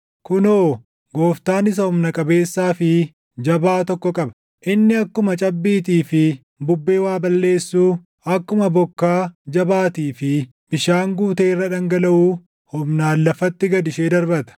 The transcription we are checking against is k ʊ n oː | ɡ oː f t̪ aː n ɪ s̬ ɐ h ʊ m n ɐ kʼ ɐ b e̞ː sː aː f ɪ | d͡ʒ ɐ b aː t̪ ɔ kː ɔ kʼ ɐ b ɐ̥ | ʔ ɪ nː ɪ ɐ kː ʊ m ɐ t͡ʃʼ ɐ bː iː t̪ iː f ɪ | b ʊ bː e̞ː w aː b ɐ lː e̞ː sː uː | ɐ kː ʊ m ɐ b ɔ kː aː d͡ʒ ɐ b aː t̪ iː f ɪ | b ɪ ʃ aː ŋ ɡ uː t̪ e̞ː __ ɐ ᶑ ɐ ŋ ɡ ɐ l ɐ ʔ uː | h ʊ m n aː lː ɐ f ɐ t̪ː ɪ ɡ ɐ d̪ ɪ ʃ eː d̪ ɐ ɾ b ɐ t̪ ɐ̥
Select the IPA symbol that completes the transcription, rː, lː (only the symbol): rː